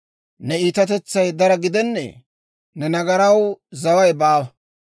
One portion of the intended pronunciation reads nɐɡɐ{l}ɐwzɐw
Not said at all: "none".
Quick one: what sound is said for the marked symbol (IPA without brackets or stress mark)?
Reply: ɾ